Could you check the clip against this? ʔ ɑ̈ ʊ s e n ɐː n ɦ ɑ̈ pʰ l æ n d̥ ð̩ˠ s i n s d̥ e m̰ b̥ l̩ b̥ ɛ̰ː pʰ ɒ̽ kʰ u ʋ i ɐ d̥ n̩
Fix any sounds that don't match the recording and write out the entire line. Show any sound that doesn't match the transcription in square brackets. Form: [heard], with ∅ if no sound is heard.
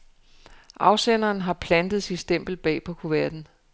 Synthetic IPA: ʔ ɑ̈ ʊ s e n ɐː n ɦ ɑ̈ pʰ l æ n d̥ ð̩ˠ s i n s d̥ e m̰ b̥ l̩ b̥ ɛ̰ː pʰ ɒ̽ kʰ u ʋ [æ] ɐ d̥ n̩